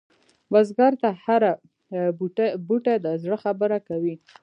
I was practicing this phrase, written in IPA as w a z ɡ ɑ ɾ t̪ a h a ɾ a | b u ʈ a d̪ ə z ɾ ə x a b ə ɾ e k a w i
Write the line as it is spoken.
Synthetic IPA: w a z ɡ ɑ ɾ t̪ a h a ɾ a | b u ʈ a d̪ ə z ɽ ə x a b ə ɾ a k a w i